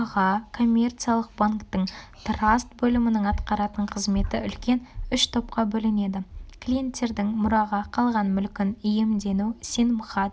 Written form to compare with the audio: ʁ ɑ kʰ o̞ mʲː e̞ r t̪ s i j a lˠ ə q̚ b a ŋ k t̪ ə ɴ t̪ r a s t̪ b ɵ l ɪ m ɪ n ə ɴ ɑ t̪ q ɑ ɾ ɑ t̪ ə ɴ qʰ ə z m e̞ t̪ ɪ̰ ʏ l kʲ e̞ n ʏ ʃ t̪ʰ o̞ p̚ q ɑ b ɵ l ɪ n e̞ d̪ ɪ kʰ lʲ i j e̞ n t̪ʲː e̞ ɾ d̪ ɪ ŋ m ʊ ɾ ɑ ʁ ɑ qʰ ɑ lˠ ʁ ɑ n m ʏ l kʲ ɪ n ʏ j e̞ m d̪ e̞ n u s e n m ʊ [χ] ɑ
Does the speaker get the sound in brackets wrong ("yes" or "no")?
no